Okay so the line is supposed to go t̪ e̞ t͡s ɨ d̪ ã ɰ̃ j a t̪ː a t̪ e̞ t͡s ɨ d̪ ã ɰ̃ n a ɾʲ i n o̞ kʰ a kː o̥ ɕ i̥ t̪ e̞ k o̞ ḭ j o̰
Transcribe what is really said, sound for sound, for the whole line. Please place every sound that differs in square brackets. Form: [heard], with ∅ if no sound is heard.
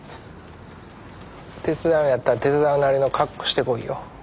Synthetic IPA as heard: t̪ e̞ t͡s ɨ d̪ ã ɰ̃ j a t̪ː a t̪ e̞ t͡s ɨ d̪ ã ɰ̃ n a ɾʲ i n o̞ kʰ a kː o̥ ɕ i̥ t̪ e̞ k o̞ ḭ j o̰

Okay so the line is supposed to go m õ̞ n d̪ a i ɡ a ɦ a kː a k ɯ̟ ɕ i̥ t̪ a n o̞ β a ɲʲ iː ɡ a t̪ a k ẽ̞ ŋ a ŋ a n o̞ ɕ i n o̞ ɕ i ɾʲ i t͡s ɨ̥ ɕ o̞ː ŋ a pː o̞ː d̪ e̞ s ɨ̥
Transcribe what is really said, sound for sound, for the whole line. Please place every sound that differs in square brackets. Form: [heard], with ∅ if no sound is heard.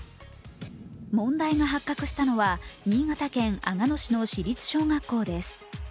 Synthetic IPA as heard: m õ̞ n d̪ a i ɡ a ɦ a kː a k ɯ̟ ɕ i̥ t̪ a n o̞ β a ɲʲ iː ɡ a t̪ a k ẽ̞ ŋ a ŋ a n o̞ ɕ i n o̞ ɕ i ɾʲ i t͡s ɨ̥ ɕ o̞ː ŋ a [kː] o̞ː d̪ e̞ s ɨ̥

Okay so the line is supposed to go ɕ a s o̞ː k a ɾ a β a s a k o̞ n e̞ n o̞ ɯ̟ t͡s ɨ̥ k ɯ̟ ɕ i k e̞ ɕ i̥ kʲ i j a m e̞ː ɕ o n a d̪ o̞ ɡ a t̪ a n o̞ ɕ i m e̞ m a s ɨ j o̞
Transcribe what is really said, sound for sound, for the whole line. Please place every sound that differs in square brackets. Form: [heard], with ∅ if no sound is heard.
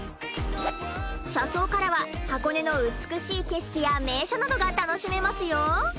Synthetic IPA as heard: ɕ a s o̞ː k a ɾ a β a [h] a k o̞ n e̞ n o̞ ɯ̟ t͡s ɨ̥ k ɯ̟ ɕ [iː] k e̞ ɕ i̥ kʲ i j a m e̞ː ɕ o n a d̪ o̞ ɡ a t̪ a n o̞ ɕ i m e̞ m a s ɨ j o̞

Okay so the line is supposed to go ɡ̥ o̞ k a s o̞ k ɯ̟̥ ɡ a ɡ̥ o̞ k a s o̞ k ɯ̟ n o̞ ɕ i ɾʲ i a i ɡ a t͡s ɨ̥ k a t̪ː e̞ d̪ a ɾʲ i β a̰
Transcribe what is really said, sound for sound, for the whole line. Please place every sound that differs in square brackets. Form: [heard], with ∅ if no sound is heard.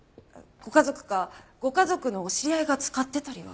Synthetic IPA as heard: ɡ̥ o̞ k a [z] o̞ k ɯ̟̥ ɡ a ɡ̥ o̞ k a [z] o̞ k ɯ̟ n o̞ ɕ i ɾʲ i a i ɡ a t͡s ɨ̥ k a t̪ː e̞ [t̪] a ɾʲ i β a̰

